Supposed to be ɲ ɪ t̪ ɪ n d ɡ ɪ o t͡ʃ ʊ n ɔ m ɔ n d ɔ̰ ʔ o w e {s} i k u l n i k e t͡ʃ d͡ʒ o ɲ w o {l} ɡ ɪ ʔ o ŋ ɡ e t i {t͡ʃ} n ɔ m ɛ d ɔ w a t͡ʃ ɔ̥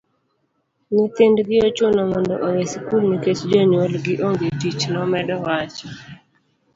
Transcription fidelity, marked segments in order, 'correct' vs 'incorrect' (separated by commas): correct, correct, correct